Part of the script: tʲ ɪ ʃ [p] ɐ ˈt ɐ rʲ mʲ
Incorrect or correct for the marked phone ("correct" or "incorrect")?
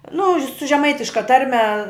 incorrect